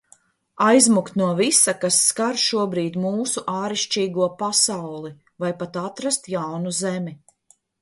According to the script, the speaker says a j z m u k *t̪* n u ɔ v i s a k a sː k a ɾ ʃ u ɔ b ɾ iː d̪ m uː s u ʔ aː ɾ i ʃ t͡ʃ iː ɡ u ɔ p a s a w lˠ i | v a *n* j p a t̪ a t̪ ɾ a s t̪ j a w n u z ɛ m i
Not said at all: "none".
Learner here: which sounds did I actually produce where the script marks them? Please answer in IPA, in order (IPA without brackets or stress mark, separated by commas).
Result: t̪, none